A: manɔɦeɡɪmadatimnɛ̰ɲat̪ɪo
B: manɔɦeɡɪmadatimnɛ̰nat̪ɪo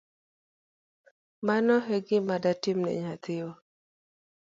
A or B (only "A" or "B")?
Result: A